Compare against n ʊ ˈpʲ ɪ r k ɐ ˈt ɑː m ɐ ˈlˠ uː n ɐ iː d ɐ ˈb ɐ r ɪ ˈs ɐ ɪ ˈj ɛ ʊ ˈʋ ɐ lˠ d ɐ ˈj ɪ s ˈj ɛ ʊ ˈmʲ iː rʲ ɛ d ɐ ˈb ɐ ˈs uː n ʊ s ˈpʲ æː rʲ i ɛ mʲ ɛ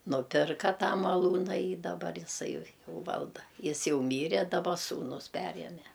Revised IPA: n ʊ ˈpʲ ɪ r k ɐ ˈt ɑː m ɐ ˈlˠ uː n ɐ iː d ɐ ˈb ɐ r ɪ ˈs ɐ ɪ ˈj ɛ ʊ ˈʋ ɐ lˠ d ɐ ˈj ɪ s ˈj ɛ ʊ ˈmʲ iː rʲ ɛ d ɐ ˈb ɐ ˈs uː n ʊ s ˈpʲ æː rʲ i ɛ mʲ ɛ

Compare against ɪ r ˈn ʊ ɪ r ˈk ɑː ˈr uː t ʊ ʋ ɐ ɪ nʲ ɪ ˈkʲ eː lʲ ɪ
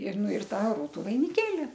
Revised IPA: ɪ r ˈn ʊ ɪ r ˈt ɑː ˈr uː t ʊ ʋ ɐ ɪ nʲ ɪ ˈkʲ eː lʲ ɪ

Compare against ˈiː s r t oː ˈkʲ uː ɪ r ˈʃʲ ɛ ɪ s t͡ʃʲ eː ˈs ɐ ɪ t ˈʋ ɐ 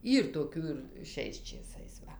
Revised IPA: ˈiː r t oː ˈkʲ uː ɪ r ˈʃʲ ɛ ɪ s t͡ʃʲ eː ˈs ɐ ɪ s ˈʋ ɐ

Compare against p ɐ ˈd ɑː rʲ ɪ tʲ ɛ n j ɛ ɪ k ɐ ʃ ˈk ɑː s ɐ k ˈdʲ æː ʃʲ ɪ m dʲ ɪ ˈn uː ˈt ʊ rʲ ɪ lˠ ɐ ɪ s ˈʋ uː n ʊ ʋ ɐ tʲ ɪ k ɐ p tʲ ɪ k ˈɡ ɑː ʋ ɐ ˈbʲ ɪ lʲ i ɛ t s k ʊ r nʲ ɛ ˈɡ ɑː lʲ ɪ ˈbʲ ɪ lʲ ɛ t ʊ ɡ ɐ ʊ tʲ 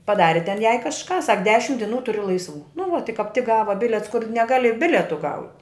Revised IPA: p ɐ ˈd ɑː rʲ ɪ tʲ ɛ n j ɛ ɪ k ɐ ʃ ˈk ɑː s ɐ k ˈdʲ æː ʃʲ ɪ m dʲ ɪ ˈn uː ˈt ʊ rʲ ɪ lˠ ɐ ɪ s ˈʋ uː n ʊ ʋ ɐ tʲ ɪ k ɐ p tʲ ɪ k ˈɡ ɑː ʋ ɐ ˈbʲ ɪ lʲ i ɛ t s k ʊ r nʲ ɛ ˈɡ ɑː lʲ ɪ ˈbʲ ɪ lʲ ɛ t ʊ ɡ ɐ ʊ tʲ

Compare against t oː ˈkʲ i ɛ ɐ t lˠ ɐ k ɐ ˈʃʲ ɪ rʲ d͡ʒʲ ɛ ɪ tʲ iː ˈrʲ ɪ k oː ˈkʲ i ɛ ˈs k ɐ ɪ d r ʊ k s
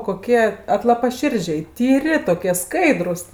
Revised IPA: k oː ˈkʲ i ɛ ɐ t lˠ ɐ p ɐ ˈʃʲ ɪ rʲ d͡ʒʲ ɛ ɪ tʲ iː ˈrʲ ɪ t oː ˈkʲ i ɛ ˈs k ɐ ɪ d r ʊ s

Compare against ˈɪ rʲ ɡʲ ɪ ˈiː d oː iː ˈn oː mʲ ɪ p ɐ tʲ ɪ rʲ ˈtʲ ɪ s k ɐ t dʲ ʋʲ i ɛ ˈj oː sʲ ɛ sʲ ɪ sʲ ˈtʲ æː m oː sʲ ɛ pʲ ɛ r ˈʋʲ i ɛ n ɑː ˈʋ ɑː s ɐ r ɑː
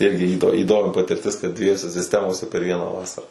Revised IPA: ˈɪ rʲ ɡʲ ɪ ˈiː d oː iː ˈd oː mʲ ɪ p ɐ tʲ ɪ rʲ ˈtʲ ɪ s k ɐ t dʲ ʋʲ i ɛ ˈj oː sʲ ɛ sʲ ɪ sʲ ˈtʲ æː m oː sʲ ɛ pʲ ɛ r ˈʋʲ i ɛ n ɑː ˈʋ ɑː s ɐ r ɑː

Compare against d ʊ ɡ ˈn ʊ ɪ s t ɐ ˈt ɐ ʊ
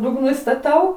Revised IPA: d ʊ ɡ ˈn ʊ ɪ s t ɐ ˈt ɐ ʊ

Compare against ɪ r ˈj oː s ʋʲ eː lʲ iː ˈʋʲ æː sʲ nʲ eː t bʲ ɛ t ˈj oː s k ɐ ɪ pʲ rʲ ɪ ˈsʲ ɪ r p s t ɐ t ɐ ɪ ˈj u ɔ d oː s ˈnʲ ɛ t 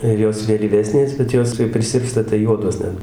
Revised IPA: ɪ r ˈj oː s ʋʲ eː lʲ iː ˈʋʲ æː sʲ nʲ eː s bʲ ɛ t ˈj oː s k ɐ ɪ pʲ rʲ ɪ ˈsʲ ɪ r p s t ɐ t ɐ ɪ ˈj u ɔ d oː s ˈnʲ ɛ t

